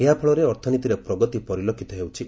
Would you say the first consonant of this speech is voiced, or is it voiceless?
voiced